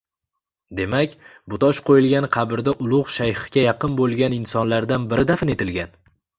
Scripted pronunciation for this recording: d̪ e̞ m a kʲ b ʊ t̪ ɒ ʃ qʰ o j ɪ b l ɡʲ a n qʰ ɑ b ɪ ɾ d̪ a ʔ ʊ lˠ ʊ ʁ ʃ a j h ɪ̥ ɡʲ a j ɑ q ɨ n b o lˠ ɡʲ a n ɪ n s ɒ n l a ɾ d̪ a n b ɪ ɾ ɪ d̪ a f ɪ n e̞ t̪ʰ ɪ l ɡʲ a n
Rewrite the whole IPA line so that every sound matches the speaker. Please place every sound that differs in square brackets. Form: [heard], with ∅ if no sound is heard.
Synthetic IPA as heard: d̪ e̞ m a kʲ b ʊ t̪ ɒ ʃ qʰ o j ɪ [∅] l ɡʲ a n qʰ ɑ b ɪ ɾ d̪ a ʔ ʊ lˠ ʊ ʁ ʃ a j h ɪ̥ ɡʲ a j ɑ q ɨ n b o lˠ ɡʲ a n ɪ n s ɒ n l a ɾ d̪ a n b ɪ ɾ ɪ d̪ a f ɪ n e̞ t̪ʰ ɪ l ɡʲ a n